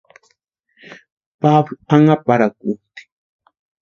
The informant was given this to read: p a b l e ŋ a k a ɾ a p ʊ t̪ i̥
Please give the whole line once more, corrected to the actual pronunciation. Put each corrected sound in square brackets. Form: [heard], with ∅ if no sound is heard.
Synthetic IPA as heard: p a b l [a] ŋ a [p] a ɾ a [k] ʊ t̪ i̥